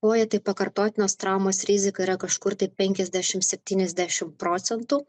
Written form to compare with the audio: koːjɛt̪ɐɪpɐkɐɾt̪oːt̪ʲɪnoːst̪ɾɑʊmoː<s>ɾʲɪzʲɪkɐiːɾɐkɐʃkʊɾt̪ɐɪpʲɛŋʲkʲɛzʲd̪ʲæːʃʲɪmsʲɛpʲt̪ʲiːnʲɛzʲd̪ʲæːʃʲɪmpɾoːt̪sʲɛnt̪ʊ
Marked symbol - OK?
yes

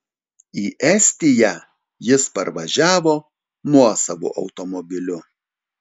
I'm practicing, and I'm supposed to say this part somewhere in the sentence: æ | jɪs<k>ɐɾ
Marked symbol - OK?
no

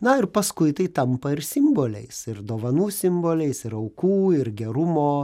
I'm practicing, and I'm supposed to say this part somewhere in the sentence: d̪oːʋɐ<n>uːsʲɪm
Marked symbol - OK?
yes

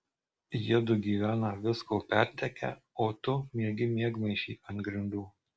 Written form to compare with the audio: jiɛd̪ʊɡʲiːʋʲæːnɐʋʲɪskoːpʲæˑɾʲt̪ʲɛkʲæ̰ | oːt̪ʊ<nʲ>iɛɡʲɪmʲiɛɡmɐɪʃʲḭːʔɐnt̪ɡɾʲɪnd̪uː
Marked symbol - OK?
no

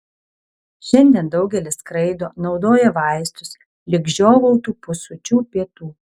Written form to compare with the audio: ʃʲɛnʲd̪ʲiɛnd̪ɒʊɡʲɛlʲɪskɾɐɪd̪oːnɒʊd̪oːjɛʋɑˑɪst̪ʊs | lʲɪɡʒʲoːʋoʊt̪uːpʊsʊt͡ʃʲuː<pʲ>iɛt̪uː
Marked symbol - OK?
yes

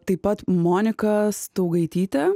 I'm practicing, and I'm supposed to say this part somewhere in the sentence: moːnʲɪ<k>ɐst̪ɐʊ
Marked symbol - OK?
yes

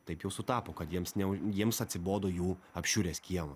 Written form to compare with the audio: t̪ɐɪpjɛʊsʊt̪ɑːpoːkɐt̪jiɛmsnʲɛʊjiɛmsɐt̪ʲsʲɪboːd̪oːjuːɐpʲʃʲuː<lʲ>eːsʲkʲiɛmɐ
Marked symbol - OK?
no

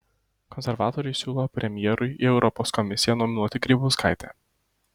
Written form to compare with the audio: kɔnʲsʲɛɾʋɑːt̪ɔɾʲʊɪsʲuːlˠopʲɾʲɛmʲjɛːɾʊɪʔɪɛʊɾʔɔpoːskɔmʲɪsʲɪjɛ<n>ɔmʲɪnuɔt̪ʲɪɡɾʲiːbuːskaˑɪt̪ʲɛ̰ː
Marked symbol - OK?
yes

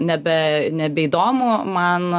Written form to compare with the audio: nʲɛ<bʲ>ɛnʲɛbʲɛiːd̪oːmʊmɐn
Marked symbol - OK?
yes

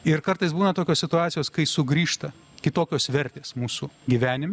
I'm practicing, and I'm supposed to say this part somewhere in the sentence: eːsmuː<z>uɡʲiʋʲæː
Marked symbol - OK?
no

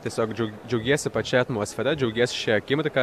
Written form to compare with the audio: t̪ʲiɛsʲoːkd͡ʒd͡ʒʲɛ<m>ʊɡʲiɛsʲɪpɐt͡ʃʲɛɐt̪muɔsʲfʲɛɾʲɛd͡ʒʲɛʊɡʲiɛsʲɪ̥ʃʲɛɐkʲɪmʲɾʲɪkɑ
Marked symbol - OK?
no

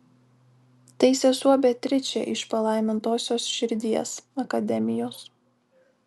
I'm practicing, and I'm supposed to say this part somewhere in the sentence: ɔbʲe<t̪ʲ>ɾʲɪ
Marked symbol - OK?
yes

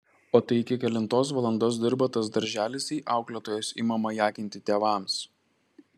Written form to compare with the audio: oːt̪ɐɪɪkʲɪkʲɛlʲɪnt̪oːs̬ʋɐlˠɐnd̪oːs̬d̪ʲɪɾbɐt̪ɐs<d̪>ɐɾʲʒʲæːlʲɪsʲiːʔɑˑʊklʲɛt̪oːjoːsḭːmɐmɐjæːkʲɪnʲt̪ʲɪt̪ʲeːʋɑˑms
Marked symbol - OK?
yes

